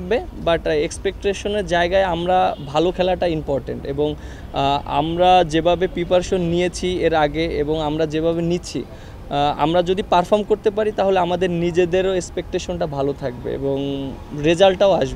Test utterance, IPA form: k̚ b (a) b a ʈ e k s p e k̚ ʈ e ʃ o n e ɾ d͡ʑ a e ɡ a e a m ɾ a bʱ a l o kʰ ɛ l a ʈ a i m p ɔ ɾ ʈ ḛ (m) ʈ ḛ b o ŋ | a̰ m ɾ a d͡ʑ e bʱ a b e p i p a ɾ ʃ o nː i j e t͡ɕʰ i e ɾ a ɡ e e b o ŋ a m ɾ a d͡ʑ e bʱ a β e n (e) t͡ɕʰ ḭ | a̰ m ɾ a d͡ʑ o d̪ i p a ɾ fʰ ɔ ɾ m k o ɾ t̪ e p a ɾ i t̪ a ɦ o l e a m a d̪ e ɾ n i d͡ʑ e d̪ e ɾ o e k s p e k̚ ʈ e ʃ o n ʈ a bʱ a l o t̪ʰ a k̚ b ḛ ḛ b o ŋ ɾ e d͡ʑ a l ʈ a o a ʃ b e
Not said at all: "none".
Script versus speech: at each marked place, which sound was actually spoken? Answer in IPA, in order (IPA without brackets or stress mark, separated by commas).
e, ɳ, i